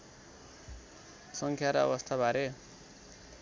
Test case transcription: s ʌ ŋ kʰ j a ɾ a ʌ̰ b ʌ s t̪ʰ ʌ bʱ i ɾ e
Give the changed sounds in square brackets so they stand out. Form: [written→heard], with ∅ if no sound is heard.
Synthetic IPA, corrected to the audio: s ʌ ŋ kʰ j a ɾ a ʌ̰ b ʌ s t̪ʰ [ʌ→a] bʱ [i→a] ɾ e